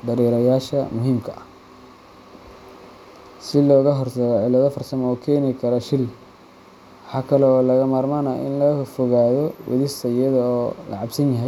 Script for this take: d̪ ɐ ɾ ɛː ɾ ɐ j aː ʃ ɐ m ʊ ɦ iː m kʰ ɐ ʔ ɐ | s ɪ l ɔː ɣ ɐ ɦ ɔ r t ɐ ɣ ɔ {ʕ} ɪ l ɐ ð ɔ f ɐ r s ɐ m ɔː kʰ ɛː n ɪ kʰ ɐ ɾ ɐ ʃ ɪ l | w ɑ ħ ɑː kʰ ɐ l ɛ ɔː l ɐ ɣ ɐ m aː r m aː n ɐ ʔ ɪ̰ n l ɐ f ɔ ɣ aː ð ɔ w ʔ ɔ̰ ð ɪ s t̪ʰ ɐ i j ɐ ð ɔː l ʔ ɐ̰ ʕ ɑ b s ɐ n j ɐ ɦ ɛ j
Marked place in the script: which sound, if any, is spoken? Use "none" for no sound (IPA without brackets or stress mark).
ʕ